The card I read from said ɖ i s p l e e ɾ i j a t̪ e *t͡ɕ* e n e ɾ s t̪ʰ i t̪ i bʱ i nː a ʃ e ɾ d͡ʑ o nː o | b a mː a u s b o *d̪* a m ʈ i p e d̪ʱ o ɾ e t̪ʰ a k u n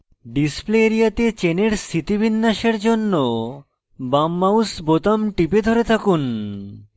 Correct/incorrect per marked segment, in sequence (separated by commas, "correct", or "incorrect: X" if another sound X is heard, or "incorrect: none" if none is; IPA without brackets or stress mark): correct, incorrect: t̪